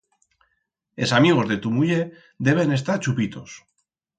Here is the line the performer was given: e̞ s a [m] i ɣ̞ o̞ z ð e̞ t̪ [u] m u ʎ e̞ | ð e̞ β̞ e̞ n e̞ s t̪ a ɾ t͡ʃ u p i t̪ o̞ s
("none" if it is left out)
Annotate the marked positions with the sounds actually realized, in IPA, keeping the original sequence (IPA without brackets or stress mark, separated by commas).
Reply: m, u